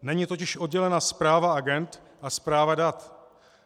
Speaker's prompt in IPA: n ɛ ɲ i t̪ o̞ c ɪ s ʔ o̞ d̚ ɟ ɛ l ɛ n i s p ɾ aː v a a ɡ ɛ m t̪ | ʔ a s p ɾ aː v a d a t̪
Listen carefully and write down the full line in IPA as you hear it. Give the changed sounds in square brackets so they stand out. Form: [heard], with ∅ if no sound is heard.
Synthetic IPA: n ɛ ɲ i t̪ o̞ c ɪ [ʃ] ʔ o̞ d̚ ɟ ɛ l ɛ n [a] s p ɾ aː v a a ɡ ɛ [n] t̪ | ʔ a s p ɾ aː v a d a t̪